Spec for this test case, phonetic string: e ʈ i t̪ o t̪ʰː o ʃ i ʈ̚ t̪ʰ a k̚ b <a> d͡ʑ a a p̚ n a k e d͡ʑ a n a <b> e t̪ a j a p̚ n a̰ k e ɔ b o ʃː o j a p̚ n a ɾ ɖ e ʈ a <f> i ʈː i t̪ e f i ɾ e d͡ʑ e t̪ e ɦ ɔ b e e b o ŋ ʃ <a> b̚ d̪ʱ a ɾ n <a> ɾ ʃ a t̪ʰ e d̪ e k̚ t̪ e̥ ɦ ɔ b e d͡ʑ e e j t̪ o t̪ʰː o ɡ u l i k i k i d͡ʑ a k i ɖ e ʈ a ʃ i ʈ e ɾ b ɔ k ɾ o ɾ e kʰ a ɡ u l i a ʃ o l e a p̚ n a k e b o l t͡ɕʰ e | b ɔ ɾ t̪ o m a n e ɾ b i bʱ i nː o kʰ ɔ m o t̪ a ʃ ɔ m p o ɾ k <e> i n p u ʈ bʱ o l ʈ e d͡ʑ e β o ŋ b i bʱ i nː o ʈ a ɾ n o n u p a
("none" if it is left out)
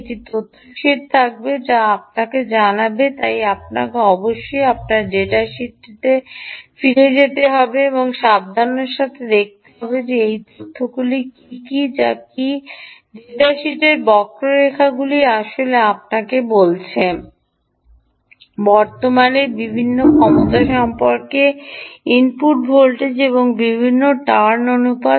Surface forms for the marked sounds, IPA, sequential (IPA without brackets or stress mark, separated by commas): e, b, ʃ, a, e, e